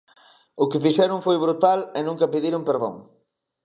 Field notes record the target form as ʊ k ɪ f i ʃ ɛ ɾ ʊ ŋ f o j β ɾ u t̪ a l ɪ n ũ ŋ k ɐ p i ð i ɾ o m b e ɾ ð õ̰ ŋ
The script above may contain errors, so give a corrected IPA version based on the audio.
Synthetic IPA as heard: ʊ k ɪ f i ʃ ɛ ɾ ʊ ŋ f o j β ɾ u t̪ a l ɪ n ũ ŋ k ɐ p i ð i ɾ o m p e ɾ ð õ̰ ŋ